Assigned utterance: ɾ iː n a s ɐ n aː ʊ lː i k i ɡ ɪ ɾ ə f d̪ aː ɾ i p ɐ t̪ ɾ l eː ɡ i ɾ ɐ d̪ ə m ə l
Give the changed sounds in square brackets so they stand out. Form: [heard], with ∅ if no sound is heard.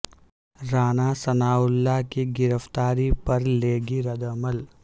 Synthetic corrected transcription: ɾ [aː] n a s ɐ n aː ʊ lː [a] k i ɡ ɪ ɾ ə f [t̪] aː ɾ i p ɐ [∅] ɾ l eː ɡ i ɾ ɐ d̪ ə m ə l